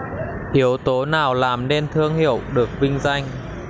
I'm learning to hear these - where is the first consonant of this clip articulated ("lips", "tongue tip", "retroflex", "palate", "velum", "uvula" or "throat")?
throat